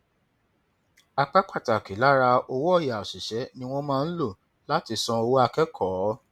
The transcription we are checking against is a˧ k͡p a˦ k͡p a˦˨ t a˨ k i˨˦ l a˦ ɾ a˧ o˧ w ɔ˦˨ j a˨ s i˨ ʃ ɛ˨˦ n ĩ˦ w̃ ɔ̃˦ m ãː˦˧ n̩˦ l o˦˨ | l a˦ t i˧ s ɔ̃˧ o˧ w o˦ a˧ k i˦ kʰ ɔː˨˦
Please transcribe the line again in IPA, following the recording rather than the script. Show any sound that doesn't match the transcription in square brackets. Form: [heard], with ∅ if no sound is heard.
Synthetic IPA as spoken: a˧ k͡p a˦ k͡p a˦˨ t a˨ k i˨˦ l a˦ ɾ a˧ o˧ w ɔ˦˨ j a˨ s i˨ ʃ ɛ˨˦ n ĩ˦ w̃ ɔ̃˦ m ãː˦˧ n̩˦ l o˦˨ | l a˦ t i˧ s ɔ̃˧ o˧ w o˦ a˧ k [ɛ˦] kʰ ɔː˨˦